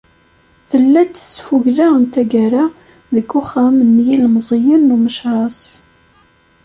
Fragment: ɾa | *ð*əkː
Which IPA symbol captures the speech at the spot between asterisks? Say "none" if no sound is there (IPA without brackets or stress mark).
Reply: ð